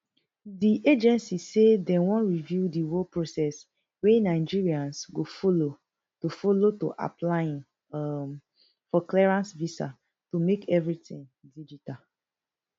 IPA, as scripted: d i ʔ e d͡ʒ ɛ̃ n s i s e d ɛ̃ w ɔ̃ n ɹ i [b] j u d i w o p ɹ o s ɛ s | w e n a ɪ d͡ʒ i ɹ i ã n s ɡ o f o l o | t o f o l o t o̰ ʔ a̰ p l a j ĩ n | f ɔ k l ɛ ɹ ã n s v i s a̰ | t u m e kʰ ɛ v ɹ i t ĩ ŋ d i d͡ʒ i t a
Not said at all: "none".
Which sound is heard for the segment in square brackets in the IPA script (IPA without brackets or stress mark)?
v